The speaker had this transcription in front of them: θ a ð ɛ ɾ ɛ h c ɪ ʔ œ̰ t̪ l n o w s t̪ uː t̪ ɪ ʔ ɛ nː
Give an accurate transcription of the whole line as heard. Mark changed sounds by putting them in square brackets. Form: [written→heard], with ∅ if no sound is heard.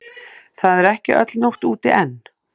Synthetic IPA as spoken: θ a ð ɛ ɾ ɛ h c ɪ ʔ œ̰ t̪ l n o w [s→h] t̪ uː t̪ ɪ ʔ ɛ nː

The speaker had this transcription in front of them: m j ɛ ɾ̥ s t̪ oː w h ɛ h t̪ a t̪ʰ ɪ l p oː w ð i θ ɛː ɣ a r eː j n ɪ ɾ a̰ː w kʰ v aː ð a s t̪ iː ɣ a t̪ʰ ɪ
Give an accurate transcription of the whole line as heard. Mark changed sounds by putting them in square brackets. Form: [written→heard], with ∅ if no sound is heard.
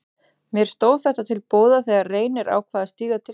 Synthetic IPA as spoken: m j ɛ ɾ̥ s t̪ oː w [h→θ] ɛ h t̪ a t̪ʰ ɪ l p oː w ð [i→a] θ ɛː ɣ a r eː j n ɪ ɾ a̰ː w kʰ v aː ð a s t̪ iː ɣ a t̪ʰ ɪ

